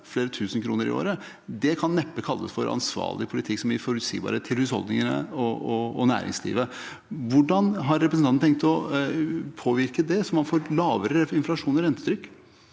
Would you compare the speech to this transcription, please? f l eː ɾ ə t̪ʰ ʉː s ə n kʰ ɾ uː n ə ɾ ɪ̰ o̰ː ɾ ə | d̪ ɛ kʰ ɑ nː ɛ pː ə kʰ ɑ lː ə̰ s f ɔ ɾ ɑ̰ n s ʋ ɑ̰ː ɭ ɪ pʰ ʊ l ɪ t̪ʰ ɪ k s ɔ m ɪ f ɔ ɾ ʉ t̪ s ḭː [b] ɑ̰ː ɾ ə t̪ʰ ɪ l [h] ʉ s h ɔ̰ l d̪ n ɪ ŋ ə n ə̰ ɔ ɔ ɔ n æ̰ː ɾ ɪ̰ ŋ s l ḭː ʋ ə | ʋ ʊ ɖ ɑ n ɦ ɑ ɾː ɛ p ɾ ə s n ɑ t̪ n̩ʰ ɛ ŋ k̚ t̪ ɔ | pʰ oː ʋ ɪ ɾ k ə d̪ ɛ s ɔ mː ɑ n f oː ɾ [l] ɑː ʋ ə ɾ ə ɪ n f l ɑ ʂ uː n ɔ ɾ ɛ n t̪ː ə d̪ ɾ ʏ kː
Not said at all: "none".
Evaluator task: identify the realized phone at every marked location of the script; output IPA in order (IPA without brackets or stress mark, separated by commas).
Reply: b, h, l